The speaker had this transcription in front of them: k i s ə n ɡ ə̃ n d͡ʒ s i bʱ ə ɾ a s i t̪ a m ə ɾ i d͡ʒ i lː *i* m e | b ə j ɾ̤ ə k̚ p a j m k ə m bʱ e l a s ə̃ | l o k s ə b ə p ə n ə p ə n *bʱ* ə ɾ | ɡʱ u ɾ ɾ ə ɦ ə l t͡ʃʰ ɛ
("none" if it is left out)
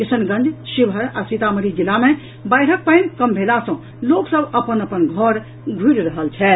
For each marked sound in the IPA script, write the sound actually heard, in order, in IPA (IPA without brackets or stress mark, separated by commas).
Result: a, ɡʱ